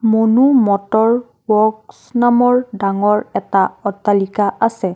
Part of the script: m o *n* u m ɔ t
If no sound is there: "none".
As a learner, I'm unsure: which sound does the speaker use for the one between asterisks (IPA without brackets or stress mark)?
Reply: n